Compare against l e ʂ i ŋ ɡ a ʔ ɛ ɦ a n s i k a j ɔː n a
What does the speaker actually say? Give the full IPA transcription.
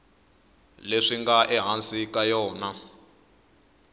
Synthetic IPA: l e ʂ i ŋ ɡ a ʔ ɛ ɦ a n s i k a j ɔː n a